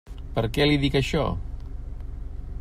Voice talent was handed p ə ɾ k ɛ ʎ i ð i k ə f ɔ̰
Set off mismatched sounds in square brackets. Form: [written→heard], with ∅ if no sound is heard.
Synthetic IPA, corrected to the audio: p ə ɾ k ɛ [ʎ→l] i ð i k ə [f→ʃ] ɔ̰

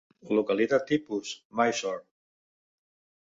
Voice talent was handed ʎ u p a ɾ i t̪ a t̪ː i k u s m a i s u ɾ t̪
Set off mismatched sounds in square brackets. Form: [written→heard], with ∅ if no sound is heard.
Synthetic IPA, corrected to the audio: [ʎ→l] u [p→k] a [ɾ→l] i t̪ a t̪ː i [k→p] u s m a [i→j] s [u→ɔ] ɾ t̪

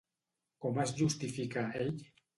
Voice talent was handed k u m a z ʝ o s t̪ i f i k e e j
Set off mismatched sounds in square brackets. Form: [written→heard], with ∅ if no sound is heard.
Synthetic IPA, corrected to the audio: k [u→o] m a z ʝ [o→u] s t̪ i f i k [e→a] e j

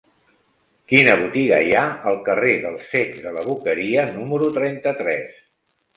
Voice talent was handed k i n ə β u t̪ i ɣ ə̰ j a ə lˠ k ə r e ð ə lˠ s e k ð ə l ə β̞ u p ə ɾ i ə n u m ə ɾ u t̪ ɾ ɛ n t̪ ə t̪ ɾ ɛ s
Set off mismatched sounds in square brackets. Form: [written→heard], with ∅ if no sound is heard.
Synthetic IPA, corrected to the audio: k i n ə β u t̪ i ɣ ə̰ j a ə lˠ k ə r e ð ə lˠ s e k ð ə l ə β̞ u [p→k] ə ɾ i ə n u m ə ɾ u t̪ ɾ ɛ n t̪ ə t̪ ɾ ɛ s

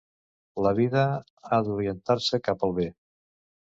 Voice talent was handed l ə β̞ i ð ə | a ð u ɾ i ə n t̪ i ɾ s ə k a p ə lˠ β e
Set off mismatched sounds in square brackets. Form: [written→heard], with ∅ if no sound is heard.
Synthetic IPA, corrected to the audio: l ə β̞ i ð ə | a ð u ɾ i ə n t̪ [i→a] ɾ s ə k a p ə lˠ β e

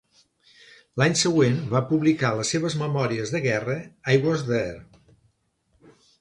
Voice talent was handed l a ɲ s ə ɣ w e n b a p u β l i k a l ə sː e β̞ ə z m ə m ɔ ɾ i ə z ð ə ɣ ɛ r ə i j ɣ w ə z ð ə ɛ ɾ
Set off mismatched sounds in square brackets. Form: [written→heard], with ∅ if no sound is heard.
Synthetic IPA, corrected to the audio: l a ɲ s ə ɣ w e n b a p u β l i k a l ə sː e β̞ ə z m ə m ɔ ɾ i ə z ð ə ɣ ɛ r ə [i→a] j ɣ w ə z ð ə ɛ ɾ

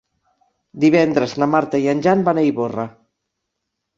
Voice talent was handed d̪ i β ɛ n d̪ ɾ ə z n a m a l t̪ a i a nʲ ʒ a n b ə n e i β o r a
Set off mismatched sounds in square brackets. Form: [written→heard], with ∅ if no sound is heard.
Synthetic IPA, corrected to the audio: d̪ i β ɛ n d̪ ɾ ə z n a m a [l→ɾ] t̪ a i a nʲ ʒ a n b [ə→a] n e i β o r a

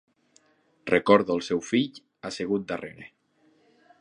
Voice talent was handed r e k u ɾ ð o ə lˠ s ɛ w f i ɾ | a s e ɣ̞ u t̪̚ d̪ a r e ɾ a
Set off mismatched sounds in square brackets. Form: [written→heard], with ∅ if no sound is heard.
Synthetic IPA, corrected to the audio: r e k [u→ɔ] ɾ ð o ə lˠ s ɛ w f i [ɾ→ʎ] | a s e ɣ̞ u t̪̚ d̪ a r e ɾ [a→e]

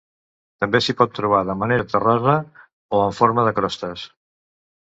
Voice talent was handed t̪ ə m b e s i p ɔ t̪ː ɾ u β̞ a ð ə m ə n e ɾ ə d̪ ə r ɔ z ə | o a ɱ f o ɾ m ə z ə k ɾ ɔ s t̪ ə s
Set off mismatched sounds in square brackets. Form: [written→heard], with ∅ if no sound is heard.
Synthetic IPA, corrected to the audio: t̪ ə m b e s i p ɔ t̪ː ɾ u β̞ a ð ə m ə n e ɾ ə [d̪→t̪] ə r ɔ z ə | o [a→ə] ɱ f o ɾ m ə [z→ð] ə k ɾ ɔ s t̪ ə s

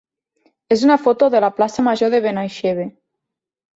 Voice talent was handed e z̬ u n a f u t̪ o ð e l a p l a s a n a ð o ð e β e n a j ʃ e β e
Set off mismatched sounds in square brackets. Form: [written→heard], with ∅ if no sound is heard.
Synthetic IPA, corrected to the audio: e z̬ u n a f [u→o] t̪ o ð e l a p l a s a [n→m] a [ð→ʒ] o ð e β e n a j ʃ e β e

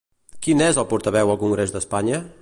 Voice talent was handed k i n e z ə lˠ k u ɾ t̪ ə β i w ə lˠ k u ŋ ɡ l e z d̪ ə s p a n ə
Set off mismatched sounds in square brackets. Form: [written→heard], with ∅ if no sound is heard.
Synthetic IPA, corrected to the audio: k i n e z ə lˠ [k→p] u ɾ t̪ ə β [i→ɛ] w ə lˠ k u ŋ ɡ [l→ɾ] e z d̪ ə s p a [n→ɲ] ə

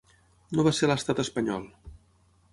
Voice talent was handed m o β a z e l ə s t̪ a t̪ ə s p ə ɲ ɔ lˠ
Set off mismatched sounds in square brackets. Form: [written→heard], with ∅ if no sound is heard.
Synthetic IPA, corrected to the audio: [m→n] o β a [z→s] e l ə s t̪ a t̪ ə s p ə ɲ ɔ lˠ

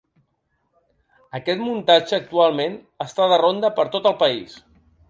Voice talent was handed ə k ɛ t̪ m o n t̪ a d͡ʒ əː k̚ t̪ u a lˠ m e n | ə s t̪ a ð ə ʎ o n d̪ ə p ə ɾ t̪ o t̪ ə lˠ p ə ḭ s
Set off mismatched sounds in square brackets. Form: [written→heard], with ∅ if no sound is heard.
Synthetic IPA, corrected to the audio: ə k ɛ t̪ m [o→u] n t̪ a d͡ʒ əː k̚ t̪ u a lˠ m e n | ə s t̪ a ð ə [ʎ→r] o n d̪ ə p ə ɾ t̪ o t̪ ə lˠ p ə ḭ s

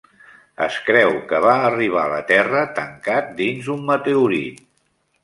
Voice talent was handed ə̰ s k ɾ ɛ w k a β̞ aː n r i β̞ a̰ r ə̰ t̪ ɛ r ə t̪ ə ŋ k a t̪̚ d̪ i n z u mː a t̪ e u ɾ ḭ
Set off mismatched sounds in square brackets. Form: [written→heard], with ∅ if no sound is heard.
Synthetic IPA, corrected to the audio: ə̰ s k ɾ ɛ w k [a→ə] β̞ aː [n→∅] r i β̞ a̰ [r→l] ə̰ t̪ ɛ r ə t̪ ə ŋ k a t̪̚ d̪ i n z u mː [a→ə] t̪ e u ɾ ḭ

